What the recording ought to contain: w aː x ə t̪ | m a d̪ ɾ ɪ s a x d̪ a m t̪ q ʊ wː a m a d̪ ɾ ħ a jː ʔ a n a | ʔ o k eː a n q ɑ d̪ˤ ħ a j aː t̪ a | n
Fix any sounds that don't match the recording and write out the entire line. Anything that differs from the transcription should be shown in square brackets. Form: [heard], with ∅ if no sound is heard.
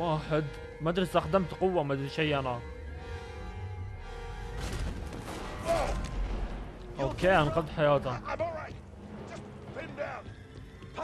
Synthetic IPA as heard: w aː [ħ] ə [d̪] | m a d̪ ɾ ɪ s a x d̪ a m t̪ q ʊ wː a m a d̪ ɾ [ʃ] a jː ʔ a n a | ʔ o k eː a n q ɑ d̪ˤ ħ a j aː t̪ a | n